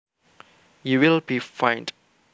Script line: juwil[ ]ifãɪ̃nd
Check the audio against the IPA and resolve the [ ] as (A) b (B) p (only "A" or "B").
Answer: A